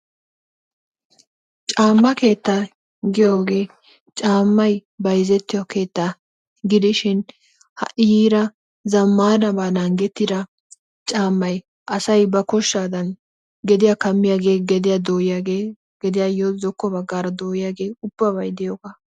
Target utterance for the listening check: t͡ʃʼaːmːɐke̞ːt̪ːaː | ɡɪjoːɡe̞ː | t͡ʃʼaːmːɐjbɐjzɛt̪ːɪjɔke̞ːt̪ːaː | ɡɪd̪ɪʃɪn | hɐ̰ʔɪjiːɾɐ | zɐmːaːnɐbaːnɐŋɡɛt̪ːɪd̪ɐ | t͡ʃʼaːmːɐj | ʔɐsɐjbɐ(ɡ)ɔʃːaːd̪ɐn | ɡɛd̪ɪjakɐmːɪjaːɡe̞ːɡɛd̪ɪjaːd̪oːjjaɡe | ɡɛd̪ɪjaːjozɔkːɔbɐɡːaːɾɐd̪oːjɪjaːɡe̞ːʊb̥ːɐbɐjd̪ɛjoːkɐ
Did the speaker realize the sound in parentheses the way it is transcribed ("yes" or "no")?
no